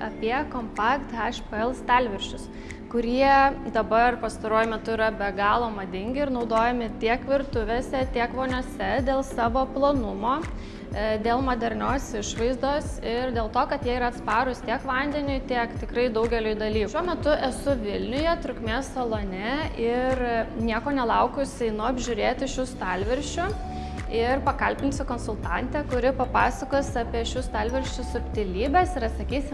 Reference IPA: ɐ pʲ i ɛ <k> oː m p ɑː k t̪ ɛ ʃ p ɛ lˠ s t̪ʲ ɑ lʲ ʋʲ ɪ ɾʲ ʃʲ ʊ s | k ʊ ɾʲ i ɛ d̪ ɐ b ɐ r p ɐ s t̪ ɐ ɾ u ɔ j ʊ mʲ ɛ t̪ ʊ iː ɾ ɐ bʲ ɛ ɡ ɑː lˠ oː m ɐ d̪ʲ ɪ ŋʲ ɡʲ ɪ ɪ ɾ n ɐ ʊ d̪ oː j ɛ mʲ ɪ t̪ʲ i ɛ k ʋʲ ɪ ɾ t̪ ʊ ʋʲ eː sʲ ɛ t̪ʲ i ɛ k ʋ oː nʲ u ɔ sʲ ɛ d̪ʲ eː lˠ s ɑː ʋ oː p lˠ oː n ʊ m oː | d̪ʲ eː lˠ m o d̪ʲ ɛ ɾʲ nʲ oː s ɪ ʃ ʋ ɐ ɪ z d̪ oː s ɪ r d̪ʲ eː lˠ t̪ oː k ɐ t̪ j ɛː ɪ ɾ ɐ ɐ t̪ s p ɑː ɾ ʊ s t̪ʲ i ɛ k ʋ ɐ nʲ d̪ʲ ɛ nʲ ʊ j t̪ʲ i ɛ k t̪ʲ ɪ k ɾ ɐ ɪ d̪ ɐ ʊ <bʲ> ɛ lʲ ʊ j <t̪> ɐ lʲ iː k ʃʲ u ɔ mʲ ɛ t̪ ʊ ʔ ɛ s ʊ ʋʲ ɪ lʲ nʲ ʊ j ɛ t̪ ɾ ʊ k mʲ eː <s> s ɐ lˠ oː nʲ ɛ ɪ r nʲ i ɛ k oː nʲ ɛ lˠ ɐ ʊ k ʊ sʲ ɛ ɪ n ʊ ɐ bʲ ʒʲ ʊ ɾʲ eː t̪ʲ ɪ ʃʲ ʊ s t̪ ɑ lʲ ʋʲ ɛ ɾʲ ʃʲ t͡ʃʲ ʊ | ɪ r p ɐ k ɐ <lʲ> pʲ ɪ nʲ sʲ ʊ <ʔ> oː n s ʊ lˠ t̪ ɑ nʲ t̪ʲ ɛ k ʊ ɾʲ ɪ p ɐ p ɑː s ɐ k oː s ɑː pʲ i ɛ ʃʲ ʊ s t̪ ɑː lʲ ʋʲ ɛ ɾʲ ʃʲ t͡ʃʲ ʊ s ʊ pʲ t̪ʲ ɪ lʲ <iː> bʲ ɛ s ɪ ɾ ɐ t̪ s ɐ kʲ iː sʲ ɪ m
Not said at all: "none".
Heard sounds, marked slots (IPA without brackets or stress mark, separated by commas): k, ɡʲ, d̪, s, lʲ, k, iː